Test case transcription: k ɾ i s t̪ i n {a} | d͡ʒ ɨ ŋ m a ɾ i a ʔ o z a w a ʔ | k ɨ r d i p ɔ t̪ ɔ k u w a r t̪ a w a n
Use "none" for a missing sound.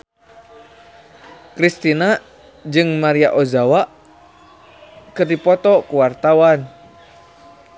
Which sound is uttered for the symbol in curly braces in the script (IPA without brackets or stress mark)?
a